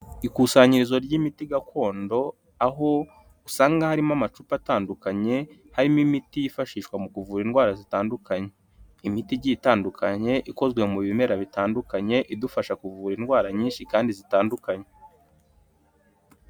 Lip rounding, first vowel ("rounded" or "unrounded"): unrounded